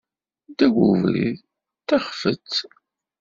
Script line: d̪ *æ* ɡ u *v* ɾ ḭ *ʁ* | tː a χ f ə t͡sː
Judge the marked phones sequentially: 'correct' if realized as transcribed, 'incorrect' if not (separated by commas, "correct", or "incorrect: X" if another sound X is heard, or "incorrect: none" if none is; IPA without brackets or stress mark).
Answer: correct, correct, incorrect: ð